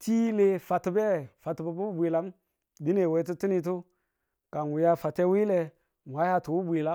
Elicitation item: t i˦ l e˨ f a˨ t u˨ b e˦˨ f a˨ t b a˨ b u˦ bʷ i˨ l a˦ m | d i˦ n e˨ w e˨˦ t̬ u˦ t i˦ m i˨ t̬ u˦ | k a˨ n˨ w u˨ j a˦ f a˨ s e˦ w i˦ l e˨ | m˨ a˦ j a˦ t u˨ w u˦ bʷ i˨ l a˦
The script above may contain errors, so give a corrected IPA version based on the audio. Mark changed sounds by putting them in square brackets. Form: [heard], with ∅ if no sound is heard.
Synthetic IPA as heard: t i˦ l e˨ f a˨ t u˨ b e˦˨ f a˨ t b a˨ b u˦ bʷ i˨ l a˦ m | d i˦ n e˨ w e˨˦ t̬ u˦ t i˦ [n] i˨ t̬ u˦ | k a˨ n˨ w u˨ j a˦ f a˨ [t] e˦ w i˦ l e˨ | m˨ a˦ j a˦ t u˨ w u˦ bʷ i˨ l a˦

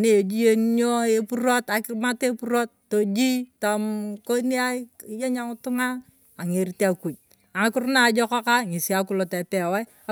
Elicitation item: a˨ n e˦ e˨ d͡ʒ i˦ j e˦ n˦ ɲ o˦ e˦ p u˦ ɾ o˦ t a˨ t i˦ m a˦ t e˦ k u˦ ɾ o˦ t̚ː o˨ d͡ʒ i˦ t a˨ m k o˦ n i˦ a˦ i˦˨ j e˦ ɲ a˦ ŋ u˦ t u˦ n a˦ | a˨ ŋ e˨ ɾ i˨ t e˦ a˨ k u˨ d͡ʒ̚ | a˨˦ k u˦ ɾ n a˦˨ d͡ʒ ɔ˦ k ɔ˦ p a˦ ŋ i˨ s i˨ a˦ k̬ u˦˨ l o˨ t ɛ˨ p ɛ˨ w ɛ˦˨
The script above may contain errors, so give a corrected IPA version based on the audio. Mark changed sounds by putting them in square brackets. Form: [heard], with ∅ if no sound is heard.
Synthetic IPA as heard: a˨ n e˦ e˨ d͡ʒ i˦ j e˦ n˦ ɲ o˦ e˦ p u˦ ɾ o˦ t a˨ [k] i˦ m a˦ t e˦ [p] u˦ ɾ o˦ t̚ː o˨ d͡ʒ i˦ t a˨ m k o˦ n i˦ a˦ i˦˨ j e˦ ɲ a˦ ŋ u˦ t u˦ [ŋ] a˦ | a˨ ŋ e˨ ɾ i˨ t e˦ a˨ k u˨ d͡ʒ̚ | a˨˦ k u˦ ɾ n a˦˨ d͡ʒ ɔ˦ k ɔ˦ [k] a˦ ŋ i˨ s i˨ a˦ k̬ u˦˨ l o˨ t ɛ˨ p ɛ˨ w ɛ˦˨

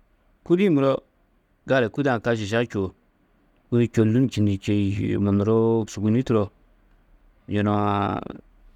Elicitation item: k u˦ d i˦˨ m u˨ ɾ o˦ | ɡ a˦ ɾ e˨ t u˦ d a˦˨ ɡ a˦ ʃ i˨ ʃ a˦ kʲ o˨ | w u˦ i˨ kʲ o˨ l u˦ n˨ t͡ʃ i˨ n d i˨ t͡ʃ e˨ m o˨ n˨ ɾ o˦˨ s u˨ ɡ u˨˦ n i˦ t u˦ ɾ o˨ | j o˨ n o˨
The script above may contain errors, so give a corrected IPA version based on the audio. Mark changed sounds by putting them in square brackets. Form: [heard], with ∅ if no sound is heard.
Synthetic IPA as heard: k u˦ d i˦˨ m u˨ ɾ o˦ | ɡ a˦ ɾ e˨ [k] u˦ d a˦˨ [k] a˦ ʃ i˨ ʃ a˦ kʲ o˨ | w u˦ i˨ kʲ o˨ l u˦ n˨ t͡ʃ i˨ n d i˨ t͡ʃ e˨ m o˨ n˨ ɾ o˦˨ s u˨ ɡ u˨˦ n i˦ t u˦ ɾ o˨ | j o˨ n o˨

